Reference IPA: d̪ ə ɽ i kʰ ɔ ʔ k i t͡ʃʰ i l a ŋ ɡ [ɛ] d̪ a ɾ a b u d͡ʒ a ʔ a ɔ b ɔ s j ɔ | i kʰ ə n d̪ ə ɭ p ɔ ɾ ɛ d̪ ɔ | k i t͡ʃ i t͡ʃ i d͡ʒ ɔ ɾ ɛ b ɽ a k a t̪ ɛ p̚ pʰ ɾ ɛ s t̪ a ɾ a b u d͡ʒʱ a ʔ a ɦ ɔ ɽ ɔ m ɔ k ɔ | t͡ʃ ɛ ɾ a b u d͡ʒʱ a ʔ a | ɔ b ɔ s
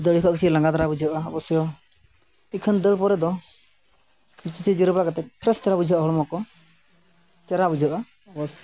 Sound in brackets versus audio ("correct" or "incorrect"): incorrect